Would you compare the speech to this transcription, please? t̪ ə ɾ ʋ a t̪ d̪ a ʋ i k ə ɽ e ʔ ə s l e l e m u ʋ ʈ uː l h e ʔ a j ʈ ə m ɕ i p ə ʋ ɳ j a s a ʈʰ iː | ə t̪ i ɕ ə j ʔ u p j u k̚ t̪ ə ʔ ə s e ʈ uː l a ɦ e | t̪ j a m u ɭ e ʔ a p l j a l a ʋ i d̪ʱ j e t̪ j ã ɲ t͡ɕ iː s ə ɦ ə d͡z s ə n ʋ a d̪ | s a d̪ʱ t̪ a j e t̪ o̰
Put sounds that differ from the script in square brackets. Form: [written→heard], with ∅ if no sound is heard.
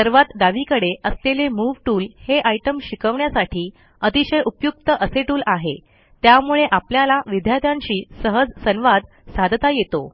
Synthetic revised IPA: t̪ ə ɾ ʋ a t̪ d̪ a ʋ i k ə ɽ e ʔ ə s l e l e m u ʋ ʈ uː l h e ʔ a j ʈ ə m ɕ i [p→k] ə ʋ ɳ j a s a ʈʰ iː | ə t̪ i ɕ ə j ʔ u p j u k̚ t̪ ə ʔ ə s e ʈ uː l a ɦ e | t̪ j a m u ɭ e ʔ a p l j a l a ʋ i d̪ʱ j [e→a] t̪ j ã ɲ t͡ɕ iː s ə ɦ ə d͡z s ə n ʋ a d̪ | s a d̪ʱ t̪ a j e t̪ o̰